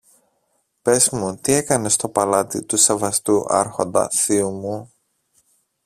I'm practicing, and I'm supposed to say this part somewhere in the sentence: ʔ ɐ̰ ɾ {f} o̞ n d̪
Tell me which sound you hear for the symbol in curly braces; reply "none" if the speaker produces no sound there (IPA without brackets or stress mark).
x